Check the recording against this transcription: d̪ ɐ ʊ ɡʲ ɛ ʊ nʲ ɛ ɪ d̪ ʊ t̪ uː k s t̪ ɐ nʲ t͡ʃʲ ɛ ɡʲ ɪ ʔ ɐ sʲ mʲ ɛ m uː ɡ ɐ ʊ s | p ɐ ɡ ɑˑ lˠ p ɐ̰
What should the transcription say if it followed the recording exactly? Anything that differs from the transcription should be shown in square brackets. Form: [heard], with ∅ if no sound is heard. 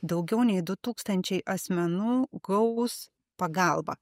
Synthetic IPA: d̪ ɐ ʊ ɡʲ ɛ ʊ nʲ ɛ ɪ d̪ ʊ t̪ uː k s t̪ ɐ nʲ t͡ʃʲ ɛ [∅] ɪ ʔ ɐ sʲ mʲ ɛ [n] uː ɡ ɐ ʊ s | p ɐ ɡ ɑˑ lˠ [b] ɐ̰